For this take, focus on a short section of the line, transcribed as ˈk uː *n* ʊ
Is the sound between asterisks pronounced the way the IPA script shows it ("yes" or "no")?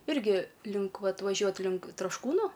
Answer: yes